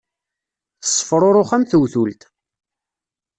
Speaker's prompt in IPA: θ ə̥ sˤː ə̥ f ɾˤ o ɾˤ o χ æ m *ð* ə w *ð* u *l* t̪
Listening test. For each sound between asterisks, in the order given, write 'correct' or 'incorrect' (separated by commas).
incorrect, incorrect, correct